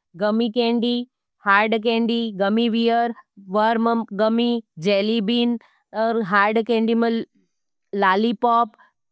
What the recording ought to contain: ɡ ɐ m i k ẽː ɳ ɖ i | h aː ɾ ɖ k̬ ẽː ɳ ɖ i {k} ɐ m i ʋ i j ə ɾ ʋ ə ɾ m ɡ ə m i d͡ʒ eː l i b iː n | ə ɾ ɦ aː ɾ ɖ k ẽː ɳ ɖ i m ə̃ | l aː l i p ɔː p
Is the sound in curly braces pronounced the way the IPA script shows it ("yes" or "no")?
no